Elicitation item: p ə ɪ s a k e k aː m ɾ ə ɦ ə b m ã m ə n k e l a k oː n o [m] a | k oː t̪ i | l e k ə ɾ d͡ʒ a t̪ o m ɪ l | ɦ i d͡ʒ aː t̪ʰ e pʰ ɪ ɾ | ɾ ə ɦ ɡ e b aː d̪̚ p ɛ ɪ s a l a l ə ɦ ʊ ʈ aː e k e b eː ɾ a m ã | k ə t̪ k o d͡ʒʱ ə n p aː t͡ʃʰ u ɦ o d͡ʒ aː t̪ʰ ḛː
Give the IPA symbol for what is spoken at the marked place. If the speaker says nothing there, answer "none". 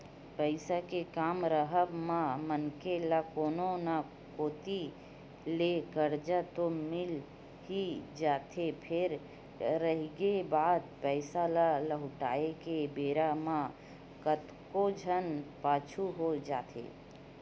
n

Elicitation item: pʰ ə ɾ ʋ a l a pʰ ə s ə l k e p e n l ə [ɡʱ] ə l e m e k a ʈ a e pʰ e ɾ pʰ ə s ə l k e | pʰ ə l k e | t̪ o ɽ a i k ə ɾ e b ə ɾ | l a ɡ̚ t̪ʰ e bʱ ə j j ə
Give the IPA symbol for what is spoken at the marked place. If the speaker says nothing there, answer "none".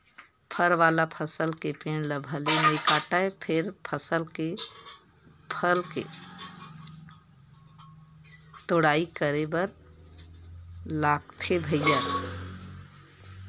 bʱ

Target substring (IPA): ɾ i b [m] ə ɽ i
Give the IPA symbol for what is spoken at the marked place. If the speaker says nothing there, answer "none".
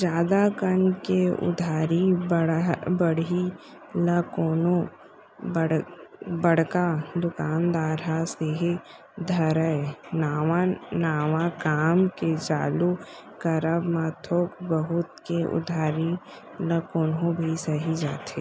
b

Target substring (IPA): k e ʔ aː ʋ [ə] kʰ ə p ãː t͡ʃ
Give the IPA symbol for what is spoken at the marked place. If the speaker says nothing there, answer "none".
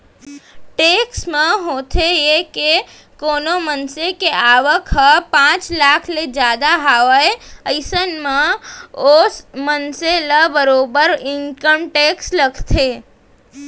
ə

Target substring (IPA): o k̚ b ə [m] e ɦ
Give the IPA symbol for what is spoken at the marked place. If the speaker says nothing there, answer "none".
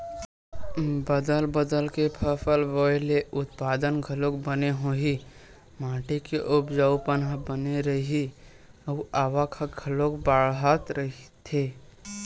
n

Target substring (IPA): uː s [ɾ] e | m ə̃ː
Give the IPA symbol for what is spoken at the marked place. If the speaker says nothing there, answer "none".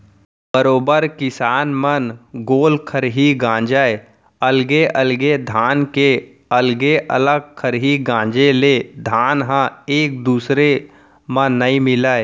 ɾ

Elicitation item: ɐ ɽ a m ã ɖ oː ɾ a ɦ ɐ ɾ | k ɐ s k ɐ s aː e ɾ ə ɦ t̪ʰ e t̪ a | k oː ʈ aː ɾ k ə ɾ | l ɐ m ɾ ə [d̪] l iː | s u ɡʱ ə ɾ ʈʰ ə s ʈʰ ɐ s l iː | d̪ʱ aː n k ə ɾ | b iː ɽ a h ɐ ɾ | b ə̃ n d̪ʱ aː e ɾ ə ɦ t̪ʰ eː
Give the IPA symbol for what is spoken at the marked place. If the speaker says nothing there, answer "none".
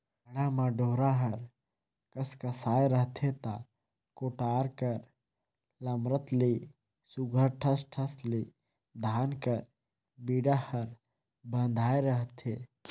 t̪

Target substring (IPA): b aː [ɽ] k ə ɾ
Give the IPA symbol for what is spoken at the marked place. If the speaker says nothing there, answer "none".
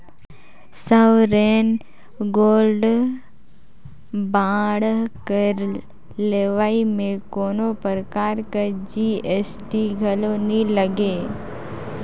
ɽ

